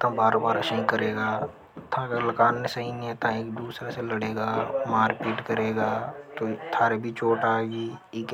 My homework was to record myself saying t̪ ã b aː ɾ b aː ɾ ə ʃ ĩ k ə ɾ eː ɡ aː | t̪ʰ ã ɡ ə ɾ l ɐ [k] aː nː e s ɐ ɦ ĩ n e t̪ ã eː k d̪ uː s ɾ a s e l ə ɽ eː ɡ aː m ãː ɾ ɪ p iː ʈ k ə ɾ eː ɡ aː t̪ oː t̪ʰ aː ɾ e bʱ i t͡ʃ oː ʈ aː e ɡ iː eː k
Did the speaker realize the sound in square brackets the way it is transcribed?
yes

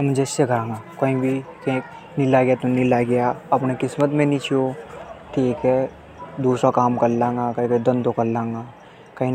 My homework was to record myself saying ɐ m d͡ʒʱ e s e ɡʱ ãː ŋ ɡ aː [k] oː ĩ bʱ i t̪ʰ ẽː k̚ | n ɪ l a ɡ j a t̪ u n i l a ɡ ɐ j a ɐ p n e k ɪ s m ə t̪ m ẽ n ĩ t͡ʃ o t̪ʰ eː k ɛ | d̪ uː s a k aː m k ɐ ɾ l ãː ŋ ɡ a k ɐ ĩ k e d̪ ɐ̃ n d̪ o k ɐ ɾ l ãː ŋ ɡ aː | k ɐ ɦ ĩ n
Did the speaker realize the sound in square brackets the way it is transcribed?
yes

